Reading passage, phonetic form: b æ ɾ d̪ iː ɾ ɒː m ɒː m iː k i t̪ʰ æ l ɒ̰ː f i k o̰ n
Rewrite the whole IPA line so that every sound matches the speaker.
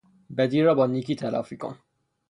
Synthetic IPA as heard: b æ d̪ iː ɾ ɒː b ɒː n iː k i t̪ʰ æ l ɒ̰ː f i k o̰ n